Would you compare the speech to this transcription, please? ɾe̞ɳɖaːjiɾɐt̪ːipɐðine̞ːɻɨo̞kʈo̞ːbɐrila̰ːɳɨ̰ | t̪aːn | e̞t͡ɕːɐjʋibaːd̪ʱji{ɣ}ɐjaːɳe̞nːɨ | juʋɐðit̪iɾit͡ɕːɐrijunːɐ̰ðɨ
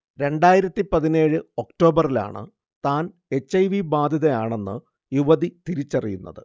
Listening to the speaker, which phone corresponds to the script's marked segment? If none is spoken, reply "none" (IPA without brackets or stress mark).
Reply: ð